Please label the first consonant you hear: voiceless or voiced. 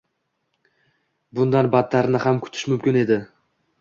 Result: voiced